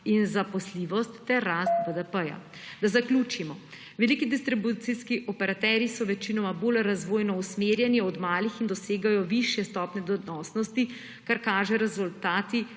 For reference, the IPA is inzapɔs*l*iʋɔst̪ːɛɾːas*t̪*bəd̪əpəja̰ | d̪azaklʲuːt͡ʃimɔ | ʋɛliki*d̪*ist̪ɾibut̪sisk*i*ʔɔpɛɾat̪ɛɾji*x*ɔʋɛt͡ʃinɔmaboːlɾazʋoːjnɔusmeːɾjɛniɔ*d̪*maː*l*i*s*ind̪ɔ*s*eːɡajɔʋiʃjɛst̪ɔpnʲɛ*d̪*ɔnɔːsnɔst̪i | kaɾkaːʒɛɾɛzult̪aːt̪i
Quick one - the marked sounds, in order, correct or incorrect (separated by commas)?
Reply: correct, correct, correct, correct, incorrect, correct, correct, incorrect, correct, correct